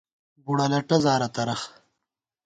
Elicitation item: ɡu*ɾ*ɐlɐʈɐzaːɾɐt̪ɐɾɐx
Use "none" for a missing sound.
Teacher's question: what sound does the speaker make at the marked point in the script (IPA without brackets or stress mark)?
ɽ